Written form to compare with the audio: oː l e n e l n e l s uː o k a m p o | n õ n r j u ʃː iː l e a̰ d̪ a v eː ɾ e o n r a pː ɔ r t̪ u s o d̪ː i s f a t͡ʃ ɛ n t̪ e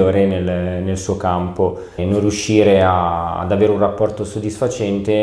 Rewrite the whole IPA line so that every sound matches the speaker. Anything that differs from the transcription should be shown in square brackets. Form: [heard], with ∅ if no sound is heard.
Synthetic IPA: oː [ɾ] e n e l n e l s uː o k a m p o | n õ n r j u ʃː iː [ɾ] e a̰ d̪ a v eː ɾ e [u] n r a pː ɔ r t̪ [o] s o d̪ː i s f a t͡ʃ ɛ n t̪ e